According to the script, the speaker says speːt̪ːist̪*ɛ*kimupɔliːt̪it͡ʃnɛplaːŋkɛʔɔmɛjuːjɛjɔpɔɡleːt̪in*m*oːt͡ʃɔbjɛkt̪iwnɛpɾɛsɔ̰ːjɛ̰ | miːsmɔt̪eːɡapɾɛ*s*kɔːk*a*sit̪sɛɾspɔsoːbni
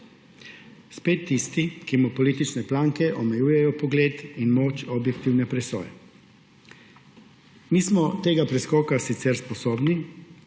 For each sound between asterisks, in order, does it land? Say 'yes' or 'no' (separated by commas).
no, yes, yes, yes